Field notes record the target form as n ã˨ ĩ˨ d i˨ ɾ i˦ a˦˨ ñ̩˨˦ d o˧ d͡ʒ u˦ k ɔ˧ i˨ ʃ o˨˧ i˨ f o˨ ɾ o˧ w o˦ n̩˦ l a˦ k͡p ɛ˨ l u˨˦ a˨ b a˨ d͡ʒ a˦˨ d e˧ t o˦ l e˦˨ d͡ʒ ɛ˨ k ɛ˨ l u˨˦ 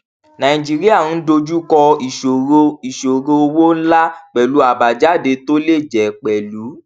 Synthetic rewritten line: n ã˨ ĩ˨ d͡ʒ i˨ ɾ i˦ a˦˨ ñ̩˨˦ d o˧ d͡ʒ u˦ k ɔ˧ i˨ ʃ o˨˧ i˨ ʃ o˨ ɾ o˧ w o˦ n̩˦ l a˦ k͡p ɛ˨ l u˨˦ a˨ b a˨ d͡ʒ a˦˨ d e˧ t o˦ l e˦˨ d͡ʒ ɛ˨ k͡p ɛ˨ l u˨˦